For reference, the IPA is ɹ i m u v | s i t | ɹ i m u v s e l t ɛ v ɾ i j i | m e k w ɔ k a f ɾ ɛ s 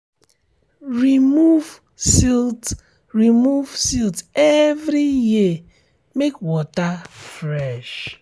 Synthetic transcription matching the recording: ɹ i m u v | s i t | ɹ i m u v s i l t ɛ v ɾ i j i | m e k w ɔ t a f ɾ ɛ ʃ